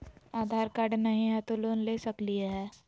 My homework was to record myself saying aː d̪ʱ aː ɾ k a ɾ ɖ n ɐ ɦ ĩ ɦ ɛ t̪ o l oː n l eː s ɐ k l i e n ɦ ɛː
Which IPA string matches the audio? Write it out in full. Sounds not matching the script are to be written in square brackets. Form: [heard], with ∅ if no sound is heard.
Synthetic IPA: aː d̪ʱ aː ɾ k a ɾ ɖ n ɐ ɦ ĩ ɦ ɛ t̪ o l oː n l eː s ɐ k l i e [∅] ɦ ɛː